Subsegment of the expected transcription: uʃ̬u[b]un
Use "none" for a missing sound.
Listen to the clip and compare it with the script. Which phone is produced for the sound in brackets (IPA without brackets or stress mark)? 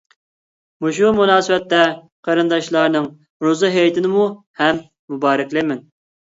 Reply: m